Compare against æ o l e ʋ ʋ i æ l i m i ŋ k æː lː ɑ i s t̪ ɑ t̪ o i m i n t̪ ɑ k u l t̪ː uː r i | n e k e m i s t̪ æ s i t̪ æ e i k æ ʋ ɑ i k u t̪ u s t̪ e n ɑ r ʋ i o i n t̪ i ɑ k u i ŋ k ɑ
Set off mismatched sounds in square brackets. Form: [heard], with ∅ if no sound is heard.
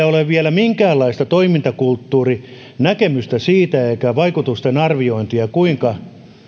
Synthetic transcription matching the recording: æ o l e ʋ ʋ i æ l [æ] m i ŋ k æː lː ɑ i s t̪ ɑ t̪ o i m i n t̪ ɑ k u l t̪ː uː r i | n [æ] k e m [y] s t̪ æ s [iː] t̪ æ e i k æ ʋ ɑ i k u t̪ u s t̪ e n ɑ r ʋ i o i n t̪ i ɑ k u i ŋ k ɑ